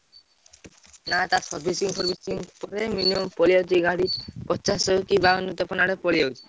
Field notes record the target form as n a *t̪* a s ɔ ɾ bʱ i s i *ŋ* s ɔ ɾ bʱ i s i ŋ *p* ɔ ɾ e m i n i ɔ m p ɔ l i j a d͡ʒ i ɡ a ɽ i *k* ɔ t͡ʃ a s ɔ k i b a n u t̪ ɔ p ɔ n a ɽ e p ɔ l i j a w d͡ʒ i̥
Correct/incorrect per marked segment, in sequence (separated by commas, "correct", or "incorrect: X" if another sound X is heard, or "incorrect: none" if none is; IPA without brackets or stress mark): correct, correct, correct, incorrect: p